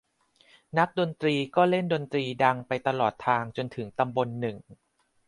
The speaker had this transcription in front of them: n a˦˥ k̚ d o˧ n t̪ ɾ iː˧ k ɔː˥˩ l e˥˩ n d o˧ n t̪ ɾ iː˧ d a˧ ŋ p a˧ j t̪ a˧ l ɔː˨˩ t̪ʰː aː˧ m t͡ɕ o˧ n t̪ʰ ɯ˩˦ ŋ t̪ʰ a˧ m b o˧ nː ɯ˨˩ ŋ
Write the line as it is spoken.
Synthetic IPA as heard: n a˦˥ k̚ d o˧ n t̪ ɾ iː˧ k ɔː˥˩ l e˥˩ n d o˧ n t̪ ɾ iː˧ d a˧ ŋ p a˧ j t̪ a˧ l ɔː˨˩ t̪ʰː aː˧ ŋ t͡ɕ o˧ n t̪ʰ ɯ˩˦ ŋ t̪ a˧ m b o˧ nː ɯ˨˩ ŋ